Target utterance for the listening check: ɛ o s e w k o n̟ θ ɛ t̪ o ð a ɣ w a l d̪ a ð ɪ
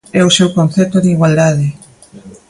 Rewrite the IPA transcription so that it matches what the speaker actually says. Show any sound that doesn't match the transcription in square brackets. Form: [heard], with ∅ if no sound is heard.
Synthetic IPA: ɛ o s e w k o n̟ θ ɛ t̪ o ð [i] ɣ w a l d̪ a ð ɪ